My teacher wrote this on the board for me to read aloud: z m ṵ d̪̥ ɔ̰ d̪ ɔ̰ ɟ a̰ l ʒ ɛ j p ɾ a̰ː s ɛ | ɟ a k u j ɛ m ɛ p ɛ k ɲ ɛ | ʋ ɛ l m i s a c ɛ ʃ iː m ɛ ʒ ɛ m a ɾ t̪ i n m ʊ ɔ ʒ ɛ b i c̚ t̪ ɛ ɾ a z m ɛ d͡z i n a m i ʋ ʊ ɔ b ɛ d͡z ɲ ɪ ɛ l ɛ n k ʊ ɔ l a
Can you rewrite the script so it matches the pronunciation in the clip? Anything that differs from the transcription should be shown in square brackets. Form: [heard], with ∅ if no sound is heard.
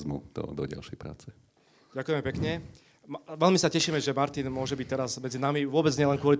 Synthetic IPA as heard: z m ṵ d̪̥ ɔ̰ d̪ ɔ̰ ɟ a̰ l [ʃ] ɛ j p ɾ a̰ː [t͡s] ɛ | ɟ a k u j ɛ m ɛ p ɛ k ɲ ɛ | ʋ ɛ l m i s a c ɛ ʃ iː m ɛ ʒ ɛ m a ɾ t̪ i n m ʊ ɔ ʒ ɛ b i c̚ t̪ ɛ ɾ a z m ɛ d͡z i n a m i ʋ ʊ ɔ b ɛ d͡z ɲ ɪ ɛ l ɛ n k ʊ ɔ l [i]